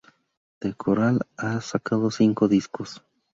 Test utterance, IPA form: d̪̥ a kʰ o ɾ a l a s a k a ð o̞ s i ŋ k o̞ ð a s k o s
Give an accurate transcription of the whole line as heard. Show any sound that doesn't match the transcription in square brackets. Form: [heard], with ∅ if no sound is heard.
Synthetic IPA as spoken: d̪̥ [e] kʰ o ɾ a l a s a k a ð o̞ s i ŋ k o̞ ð [i] s k o s